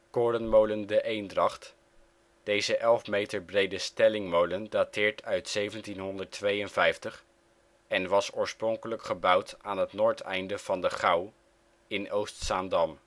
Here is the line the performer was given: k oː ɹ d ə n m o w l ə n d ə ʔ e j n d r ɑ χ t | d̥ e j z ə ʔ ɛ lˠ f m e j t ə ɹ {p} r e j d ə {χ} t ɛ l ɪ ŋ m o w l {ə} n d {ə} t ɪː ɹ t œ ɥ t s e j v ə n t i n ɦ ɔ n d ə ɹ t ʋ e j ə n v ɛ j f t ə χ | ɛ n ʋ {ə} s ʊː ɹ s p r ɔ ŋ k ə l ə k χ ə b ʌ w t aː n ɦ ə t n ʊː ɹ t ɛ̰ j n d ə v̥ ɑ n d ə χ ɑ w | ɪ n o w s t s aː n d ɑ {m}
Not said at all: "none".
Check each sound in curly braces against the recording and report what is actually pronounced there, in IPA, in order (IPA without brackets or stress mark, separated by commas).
b, s, ə, a, ɑ, m